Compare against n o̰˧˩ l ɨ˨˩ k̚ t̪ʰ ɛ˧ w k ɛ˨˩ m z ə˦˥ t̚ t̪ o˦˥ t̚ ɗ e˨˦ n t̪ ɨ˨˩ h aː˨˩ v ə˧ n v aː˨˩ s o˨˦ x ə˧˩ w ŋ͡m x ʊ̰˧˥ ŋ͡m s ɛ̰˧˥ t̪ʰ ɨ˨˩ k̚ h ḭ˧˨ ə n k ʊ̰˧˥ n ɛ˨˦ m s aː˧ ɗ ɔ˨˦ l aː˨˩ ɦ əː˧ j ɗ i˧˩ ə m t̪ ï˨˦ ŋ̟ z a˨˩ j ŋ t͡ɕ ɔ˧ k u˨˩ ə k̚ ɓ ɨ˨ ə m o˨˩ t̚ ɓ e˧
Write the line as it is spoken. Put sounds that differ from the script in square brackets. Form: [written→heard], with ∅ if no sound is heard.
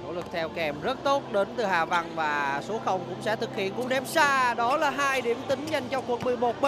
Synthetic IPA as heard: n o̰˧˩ l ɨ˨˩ k̚ t̪ʰ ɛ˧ w k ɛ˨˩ m z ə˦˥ t̚ t̪ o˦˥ t̚ ɗ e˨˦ n t̪ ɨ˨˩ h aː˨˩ v [ə˧→a˧] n v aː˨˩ s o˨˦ x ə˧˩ w ŋ͡m [x→k] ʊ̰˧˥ ŋ͡m s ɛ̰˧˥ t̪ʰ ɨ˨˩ k̚ h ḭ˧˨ ə n k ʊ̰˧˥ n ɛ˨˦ m s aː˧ ɗ ɔ˨˦ l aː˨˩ ɦ [əː˧→aː˧] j ɗ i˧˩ ə m t̪ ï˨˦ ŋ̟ z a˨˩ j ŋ t͡ɕ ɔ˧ k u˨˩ ə k̚ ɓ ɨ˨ ə m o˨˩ t̚ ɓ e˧